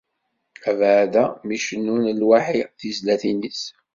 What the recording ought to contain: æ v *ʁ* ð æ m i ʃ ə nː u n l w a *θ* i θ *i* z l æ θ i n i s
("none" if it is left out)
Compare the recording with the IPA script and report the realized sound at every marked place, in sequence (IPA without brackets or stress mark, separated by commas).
ʕ, ħ, i